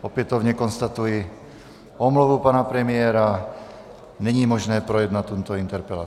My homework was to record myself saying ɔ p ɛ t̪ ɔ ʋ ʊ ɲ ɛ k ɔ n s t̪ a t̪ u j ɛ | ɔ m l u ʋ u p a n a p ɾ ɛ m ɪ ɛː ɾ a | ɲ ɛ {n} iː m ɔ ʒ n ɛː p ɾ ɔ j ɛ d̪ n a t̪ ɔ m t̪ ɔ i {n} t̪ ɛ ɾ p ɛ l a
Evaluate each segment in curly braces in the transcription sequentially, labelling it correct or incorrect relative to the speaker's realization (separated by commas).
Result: incorrect, correct